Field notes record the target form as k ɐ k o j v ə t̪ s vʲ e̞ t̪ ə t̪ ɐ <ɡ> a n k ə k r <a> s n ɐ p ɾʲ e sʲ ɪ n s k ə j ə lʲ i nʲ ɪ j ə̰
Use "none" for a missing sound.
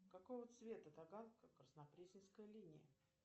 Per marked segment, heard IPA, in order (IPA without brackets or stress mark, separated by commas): ɡ, ə